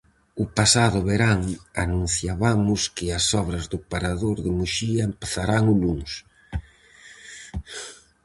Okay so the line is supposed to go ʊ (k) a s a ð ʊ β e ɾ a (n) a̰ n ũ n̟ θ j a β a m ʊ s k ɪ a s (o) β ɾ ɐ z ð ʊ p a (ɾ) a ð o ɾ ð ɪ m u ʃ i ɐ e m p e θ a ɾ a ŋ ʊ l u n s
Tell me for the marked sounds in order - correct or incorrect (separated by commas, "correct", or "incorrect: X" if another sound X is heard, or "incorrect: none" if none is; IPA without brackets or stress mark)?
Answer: incorrect: p, incorrect: ŋ, incorrect: ɔ, correct